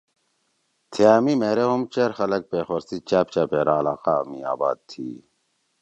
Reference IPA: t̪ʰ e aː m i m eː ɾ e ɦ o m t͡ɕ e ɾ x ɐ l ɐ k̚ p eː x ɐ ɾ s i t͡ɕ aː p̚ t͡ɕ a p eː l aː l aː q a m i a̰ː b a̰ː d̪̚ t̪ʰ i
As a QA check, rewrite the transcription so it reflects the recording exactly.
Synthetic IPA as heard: t̪ʰ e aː m i m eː ɾ e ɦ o m t͡ɕ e ɾ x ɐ l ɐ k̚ p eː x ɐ ɾ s i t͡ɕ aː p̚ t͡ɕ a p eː ɾ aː l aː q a m i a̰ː b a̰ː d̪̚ t̪ʰ i